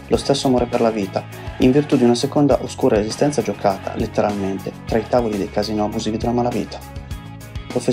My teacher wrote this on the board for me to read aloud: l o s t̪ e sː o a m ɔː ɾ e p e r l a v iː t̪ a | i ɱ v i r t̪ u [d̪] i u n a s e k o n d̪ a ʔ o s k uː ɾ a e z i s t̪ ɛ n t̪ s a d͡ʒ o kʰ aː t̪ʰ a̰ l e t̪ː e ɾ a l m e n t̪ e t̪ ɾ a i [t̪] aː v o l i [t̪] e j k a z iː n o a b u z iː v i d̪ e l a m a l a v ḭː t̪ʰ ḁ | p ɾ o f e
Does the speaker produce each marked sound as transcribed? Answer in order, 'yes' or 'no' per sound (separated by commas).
yes, yes, no